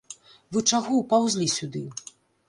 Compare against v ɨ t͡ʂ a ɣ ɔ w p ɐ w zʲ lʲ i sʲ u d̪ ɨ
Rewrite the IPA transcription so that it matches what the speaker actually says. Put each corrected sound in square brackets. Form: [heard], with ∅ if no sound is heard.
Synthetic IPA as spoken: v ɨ t͡ʂ a ɣ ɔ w p [a] w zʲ lʲ i sʲ u d̪ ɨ